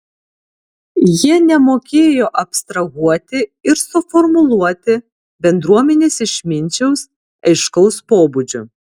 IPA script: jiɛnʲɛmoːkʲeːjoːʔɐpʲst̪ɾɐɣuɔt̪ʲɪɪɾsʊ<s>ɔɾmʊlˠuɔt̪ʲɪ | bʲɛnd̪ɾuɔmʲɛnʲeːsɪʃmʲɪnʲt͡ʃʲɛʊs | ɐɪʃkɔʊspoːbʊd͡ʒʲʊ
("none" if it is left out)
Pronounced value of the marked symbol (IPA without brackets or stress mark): f